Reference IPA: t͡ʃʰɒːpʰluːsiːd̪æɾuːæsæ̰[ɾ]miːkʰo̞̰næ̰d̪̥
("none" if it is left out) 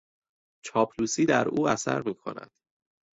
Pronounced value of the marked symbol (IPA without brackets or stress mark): ɾ